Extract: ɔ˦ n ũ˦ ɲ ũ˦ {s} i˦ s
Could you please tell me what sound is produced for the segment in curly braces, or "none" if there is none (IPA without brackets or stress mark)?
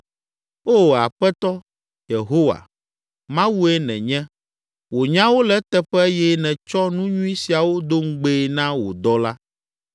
none